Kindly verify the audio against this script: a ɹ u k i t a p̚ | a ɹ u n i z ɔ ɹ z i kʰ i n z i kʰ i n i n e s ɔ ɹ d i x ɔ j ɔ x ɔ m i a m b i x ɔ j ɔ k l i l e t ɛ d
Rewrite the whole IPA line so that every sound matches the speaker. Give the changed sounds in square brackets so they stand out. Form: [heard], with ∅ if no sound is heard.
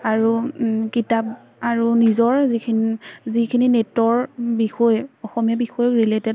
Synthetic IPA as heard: a ɹ u k i t a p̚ | a ɹ u n i z ɔ ɹ z i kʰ i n z i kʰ i n i n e [t] ɔ ɹ [b] i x ɔ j ɔ x ɔ m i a [∅] b i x ɔ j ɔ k [ɹ] i l e t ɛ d